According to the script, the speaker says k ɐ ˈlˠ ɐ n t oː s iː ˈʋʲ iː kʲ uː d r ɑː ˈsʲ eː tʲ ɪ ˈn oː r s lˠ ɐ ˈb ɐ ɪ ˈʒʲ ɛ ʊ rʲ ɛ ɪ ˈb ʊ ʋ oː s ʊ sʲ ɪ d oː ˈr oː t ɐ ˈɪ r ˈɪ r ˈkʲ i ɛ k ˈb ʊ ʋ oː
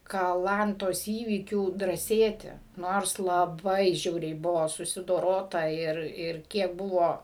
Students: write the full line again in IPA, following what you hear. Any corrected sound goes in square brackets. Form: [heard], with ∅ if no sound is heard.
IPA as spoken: k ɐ ˈlˠ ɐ n t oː s iː ˈʋʲ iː kʲ uː d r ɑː ˈsʲ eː tʲ ɪ ˈn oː r s lˠ ɐ ˈb ɐ ɪ ˈʒʲ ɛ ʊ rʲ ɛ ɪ ˈb ʊ ʋ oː s ʊ sʲ ɪ d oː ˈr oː t ɐ ˈɪ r ˈɪ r ˈkʲ i ɛ k ˈb ʊ ʋ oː